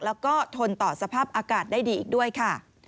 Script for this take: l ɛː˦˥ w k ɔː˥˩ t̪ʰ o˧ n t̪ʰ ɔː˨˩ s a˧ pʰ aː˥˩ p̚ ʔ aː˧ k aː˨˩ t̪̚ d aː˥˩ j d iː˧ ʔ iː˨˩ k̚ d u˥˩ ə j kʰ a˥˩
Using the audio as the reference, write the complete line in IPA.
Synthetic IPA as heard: l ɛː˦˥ w k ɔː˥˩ t̪ʰ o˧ n t̪ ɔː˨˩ s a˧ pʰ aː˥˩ p̚ ʔ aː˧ k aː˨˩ t̪̚ d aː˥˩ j d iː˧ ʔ iː˨˩ k̚ d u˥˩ ə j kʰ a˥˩